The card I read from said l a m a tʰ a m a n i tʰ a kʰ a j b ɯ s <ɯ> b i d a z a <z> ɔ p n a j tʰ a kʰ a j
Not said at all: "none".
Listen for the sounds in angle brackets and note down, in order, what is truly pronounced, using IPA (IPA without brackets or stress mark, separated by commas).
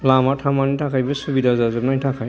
u, z